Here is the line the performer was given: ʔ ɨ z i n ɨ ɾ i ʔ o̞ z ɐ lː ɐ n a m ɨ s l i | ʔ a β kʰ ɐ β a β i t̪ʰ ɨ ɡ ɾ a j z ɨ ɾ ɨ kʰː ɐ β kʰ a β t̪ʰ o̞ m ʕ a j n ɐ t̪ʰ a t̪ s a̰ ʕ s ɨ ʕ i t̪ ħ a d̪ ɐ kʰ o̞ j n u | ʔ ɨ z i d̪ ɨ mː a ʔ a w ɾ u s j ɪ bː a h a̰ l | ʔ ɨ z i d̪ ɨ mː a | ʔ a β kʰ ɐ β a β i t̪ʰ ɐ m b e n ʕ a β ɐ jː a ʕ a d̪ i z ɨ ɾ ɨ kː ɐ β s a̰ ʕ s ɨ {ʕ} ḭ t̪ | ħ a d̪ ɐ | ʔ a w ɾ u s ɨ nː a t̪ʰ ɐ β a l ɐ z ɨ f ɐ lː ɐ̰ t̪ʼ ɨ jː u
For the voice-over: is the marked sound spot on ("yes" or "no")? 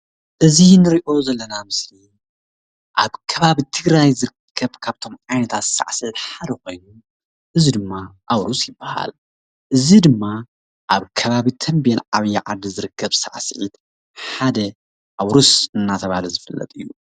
yes